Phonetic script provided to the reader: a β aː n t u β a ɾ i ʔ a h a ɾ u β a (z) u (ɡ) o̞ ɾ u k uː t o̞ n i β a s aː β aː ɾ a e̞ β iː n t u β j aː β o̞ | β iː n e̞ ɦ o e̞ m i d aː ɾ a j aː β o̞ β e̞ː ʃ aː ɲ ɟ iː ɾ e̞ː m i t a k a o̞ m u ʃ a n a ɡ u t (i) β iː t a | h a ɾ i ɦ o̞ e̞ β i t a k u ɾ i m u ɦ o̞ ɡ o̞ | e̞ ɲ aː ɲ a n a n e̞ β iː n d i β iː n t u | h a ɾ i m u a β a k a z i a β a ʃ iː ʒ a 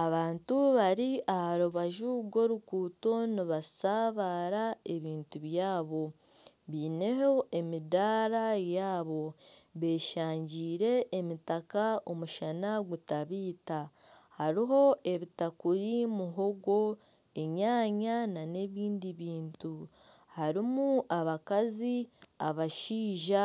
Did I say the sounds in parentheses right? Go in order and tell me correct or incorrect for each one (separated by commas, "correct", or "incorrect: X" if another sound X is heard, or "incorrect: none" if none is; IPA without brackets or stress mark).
incorrect: ʒ, correct, incorrect: a